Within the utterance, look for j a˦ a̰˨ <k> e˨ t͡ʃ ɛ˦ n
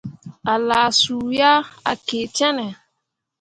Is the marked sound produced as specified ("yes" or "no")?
yes